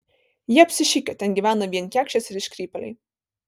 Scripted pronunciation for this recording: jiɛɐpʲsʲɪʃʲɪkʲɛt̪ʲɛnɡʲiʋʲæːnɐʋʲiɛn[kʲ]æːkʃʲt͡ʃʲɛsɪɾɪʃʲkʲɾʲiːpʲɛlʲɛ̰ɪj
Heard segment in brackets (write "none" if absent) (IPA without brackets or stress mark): kʲ